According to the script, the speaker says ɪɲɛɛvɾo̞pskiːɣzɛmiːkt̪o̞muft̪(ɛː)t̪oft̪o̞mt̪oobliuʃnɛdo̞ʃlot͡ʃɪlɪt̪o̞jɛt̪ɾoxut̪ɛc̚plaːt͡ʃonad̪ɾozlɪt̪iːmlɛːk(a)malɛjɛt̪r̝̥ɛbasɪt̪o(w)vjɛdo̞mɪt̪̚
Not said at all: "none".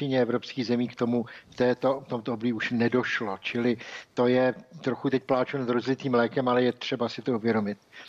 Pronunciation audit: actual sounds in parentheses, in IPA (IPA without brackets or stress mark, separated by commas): ɛː, ɛ, u